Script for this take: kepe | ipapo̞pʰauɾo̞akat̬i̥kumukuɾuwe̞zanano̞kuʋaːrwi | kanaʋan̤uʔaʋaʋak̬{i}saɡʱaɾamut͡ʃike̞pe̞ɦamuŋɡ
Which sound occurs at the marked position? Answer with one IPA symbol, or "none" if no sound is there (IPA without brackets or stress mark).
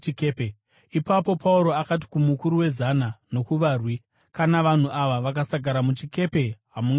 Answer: a